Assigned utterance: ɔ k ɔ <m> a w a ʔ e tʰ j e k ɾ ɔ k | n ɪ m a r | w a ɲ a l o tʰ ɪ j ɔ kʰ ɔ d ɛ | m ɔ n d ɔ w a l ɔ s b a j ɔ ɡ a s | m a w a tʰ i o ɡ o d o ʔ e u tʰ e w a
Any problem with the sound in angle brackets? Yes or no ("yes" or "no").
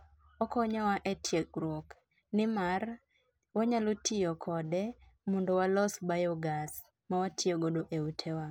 yes